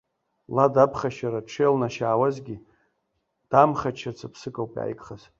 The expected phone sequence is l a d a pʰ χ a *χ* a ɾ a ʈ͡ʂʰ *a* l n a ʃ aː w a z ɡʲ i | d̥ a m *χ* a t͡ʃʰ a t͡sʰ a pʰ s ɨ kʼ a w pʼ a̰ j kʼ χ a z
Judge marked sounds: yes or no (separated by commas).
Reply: no, no, yes